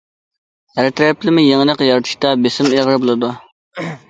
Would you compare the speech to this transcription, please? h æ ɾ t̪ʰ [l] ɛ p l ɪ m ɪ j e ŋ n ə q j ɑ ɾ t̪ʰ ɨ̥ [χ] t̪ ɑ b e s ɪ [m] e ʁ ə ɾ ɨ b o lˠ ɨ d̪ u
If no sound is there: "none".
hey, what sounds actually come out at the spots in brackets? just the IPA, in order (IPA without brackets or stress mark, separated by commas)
ɾ, ʃ, m